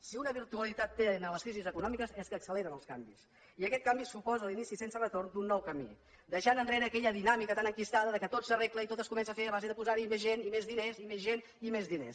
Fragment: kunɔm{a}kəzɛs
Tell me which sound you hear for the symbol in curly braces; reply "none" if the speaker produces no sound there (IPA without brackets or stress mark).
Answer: i